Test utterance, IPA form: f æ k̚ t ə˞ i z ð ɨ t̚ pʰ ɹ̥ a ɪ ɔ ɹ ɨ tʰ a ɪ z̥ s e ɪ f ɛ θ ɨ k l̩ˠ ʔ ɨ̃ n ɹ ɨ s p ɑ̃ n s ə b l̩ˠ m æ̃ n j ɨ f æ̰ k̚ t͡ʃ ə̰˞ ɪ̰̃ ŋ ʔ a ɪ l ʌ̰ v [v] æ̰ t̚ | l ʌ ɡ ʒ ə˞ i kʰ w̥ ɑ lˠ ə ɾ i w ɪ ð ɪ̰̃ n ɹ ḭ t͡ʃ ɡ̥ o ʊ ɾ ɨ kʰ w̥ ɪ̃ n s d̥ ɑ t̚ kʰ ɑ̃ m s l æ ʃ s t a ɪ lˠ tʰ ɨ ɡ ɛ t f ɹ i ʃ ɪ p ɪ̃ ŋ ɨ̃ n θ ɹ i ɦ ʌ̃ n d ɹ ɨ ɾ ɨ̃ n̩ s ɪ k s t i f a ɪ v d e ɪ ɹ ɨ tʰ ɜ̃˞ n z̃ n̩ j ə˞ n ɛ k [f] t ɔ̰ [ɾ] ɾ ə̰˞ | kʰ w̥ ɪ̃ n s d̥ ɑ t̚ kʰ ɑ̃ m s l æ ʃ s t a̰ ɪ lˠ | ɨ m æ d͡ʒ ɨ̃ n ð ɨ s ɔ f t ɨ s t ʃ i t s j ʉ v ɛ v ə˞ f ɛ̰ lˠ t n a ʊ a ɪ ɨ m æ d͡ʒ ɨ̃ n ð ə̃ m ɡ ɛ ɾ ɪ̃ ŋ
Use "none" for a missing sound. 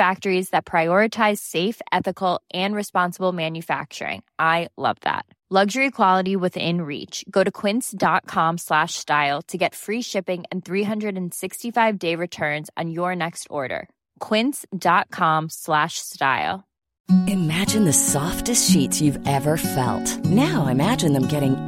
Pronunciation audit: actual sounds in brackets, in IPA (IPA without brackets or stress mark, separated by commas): ð, s, ɹ